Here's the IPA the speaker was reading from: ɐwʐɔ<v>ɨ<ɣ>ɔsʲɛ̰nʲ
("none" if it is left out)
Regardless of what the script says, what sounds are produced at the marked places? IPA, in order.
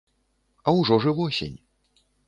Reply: ʐ, v

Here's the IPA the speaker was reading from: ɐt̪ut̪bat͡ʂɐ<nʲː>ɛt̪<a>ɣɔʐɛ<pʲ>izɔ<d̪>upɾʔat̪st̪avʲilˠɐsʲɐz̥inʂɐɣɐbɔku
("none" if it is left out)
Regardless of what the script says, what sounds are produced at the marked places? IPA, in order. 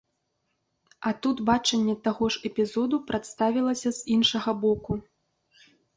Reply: nʲː, a, pʲ, d̪

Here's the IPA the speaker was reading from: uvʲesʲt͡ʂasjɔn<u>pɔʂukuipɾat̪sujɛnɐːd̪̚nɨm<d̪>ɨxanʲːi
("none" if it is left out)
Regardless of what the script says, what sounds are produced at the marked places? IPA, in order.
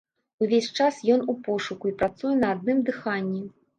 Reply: u, d̪

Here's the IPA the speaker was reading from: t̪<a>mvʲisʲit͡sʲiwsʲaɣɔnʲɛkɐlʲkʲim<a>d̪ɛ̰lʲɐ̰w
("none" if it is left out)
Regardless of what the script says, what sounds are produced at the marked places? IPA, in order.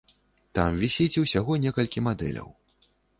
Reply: a, a

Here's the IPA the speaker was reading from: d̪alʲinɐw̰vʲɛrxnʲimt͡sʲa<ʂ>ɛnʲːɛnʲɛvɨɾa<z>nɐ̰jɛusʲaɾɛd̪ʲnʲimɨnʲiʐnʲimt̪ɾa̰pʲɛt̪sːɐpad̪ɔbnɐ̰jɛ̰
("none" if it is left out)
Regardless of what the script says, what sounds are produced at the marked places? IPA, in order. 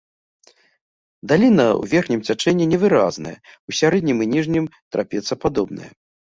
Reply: t͡ʂ, z

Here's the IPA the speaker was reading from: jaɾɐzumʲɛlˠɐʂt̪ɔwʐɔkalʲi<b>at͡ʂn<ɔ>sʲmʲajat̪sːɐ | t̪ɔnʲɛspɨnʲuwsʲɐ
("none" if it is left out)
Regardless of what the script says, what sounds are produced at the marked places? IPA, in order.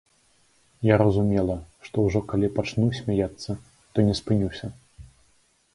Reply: p, u

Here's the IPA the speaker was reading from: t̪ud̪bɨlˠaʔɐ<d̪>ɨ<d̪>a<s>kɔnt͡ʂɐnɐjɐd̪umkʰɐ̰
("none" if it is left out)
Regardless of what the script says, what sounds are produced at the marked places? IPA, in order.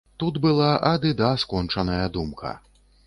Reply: d̪, d̪, s

